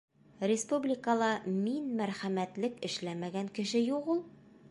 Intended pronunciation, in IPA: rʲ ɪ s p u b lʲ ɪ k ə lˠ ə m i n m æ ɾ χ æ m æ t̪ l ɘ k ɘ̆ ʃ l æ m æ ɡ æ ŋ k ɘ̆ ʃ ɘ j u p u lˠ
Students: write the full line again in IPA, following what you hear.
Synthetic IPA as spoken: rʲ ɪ s p u b lʲ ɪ k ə lˠ ɑ m i n m æ ɾ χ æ m æ t̪ l ɘ k ɘ̆ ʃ l æ m æ ɡ æ ŋ k ɘ̆ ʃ ɘ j u q u lˠ